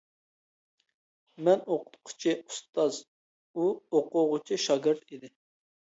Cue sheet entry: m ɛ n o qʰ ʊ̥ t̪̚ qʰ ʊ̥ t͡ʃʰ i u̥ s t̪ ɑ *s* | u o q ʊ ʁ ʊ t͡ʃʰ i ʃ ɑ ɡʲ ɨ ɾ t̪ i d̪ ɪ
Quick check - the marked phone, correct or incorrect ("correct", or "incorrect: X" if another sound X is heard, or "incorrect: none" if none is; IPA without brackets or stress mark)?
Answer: incorrect: z